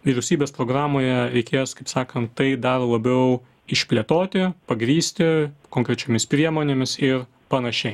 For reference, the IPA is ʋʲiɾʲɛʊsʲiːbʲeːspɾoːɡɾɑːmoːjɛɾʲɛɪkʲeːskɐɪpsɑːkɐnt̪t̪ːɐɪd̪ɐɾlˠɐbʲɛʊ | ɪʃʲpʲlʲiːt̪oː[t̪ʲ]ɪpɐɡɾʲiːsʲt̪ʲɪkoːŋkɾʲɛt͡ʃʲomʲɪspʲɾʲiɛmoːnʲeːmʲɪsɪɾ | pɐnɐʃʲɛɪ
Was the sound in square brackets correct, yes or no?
yes